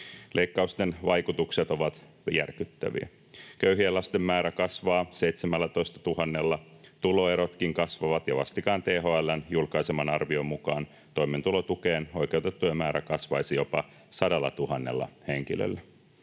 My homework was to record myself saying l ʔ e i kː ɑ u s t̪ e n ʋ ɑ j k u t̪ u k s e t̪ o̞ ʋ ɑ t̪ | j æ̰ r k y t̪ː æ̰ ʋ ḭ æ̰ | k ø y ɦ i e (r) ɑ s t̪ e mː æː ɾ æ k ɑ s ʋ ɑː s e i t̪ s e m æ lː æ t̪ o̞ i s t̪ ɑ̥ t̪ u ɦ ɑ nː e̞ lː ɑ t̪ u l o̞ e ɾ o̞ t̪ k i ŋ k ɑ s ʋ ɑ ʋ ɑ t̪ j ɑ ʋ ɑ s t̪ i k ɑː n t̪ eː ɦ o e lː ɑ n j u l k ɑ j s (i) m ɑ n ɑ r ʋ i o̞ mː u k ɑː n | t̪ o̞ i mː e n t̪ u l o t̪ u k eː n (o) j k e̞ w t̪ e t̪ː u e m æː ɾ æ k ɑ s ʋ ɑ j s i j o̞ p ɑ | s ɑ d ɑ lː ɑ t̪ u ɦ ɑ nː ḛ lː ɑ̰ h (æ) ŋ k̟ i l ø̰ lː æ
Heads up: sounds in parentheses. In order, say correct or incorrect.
incorrect, incorrect, correct, incorrect

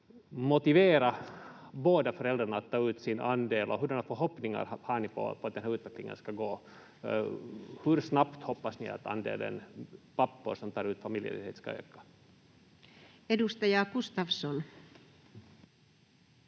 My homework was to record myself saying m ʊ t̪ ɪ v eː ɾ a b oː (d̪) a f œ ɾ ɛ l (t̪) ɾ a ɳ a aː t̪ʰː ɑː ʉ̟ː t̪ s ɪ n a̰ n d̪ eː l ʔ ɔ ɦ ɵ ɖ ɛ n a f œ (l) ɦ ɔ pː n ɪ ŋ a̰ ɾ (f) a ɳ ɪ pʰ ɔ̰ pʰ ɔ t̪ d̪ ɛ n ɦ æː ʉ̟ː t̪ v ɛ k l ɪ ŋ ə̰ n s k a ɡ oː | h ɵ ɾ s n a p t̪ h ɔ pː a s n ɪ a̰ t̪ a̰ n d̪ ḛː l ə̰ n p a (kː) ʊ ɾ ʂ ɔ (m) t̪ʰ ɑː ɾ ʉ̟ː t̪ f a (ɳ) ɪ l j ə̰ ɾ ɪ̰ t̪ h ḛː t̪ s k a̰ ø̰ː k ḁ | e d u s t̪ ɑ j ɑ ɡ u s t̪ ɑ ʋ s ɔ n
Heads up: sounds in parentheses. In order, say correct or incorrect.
correct, incorrect, incorrect, incorrect, incorrect, correct, incorrect

